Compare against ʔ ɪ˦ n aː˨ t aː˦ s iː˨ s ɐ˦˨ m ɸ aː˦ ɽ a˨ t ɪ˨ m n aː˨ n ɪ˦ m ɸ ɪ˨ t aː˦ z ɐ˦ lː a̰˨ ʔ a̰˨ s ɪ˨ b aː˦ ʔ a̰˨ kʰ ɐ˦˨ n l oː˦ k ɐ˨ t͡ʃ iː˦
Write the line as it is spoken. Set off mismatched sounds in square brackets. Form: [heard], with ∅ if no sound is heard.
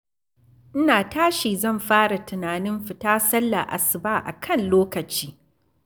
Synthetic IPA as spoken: ʔ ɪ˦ n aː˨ t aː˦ [ʃ] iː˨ [z] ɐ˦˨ m ɸ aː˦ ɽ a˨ t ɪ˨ [∅] n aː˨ n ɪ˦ m ɸ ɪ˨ t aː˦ [s] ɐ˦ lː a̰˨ ʔ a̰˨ s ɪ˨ b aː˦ ʔ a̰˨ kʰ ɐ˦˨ n l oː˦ k ɐ˨ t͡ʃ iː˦